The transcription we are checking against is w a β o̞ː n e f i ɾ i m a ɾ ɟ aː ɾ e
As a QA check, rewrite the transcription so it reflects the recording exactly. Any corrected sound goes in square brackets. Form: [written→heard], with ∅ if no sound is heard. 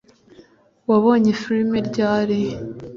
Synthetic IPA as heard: w a β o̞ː [n→ɲ] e f i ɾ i m [a→e] ɾ ɟ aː ɾ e